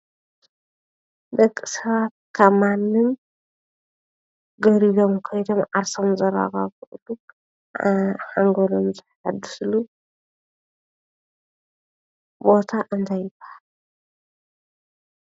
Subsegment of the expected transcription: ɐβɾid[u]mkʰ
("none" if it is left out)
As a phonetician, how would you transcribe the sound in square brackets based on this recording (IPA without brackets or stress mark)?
o